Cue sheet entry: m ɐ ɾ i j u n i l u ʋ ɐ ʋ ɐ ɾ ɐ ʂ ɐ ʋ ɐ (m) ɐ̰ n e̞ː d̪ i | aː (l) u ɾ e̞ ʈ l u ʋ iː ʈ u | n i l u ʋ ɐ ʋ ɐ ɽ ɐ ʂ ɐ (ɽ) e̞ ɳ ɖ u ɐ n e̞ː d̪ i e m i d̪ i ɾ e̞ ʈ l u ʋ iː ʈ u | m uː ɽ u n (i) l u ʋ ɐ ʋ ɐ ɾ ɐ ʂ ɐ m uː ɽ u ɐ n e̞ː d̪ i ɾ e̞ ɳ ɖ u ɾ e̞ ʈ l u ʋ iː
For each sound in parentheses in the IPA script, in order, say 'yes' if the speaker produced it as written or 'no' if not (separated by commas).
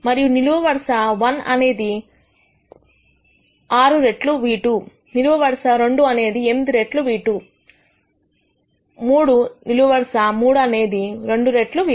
no, no, no, yes